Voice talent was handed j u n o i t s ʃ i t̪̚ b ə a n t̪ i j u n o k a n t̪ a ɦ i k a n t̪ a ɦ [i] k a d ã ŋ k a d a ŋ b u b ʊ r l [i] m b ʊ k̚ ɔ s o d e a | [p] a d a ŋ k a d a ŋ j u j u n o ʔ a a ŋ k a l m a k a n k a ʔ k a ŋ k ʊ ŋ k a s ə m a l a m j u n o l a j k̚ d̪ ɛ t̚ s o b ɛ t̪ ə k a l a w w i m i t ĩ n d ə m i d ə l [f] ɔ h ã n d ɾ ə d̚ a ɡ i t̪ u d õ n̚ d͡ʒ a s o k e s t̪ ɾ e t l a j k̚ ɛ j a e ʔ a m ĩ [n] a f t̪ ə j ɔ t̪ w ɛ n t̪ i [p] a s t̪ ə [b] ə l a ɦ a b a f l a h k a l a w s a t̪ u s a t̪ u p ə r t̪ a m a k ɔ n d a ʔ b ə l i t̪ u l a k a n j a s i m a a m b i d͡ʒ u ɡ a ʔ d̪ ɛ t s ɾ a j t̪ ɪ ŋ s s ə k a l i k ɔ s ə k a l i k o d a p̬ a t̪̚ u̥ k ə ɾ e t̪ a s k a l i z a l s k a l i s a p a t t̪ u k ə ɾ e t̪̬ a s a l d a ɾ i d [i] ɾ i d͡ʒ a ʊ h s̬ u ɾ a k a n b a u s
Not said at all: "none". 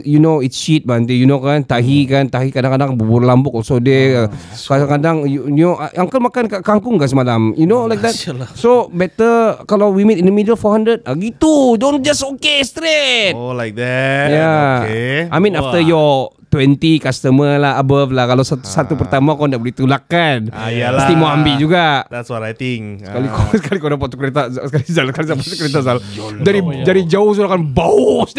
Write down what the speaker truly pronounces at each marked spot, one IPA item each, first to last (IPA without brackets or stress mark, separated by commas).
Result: i, a, k, f, n, k, m, a